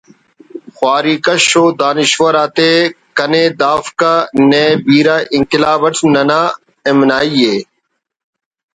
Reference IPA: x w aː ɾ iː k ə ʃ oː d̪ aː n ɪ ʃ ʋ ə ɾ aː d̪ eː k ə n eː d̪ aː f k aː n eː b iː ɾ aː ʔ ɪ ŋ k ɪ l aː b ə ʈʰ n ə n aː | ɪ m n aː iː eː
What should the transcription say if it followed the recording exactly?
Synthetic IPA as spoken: x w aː ɾ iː k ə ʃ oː d̪ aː n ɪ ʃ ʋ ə ɾ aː t̪ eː k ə n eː d̪ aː f k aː n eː b iː ɾ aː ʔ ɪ ŋ k ɪ l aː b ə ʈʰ n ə n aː | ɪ m n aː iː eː